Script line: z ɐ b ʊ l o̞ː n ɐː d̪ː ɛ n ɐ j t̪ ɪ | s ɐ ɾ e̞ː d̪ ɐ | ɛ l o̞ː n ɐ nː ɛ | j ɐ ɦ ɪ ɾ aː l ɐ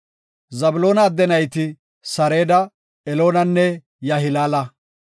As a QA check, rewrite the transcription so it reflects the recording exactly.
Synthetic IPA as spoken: z ɐ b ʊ l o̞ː n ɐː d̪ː ɛ n ɐ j t̪ ɪ | s ɐ ɾ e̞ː d̪ ɐ | ɛ l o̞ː n ɐ nː ɛ | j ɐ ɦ ɪ l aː l ɐ